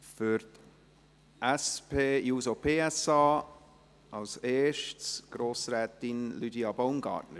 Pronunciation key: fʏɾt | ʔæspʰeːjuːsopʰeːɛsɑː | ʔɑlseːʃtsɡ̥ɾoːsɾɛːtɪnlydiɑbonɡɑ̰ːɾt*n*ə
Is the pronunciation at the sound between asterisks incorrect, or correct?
correct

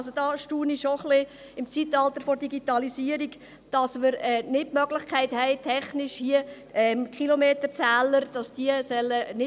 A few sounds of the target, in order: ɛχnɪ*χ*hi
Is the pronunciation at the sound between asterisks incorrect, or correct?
incorrect: ʃ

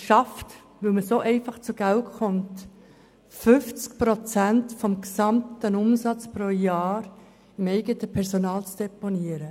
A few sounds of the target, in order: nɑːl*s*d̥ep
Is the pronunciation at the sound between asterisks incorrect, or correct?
incorrect: t͡s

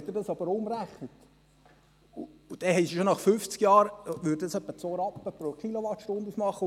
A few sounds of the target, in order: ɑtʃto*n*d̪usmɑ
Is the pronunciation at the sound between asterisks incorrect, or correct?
correct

